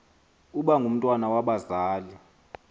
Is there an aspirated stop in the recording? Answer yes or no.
no